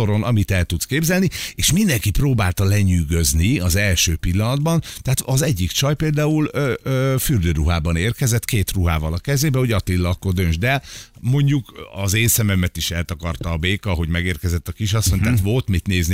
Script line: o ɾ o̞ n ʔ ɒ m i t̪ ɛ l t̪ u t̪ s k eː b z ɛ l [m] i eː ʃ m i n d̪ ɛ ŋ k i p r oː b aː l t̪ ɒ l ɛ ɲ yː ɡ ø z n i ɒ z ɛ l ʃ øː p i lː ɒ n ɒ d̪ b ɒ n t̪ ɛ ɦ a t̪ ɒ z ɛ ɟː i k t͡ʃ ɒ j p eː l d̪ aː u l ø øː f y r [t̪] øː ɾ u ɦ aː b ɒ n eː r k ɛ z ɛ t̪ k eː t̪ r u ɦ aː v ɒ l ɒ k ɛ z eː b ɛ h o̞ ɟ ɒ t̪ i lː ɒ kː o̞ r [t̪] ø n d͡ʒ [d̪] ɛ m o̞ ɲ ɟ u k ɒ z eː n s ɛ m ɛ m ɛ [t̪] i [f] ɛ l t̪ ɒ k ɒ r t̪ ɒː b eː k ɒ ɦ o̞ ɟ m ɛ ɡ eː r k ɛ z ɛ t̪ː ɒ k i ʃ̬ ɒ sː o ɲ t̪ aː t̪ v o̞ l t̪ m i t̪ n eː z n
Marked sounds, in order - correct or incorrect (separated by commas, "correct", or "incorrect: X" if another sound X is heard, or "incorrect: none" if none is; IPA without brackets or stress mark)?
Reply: incorrect: n, incorrect: d̪, incorrect: d̪, correct, correct, incorrect: ʃ